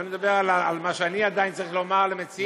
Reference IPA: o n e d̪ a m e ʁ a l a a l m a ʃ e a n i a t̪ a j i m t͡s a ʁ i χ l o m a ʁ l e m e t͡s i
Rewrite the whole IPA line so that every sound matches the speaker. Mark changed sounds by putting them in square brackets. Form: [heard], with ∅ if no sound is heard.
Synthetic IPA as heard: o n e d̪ a [b] e ʁ a l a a l m a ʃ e a n i a [d̪] a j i [n] t͡s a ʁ i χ l o m a ʁ l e m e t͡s i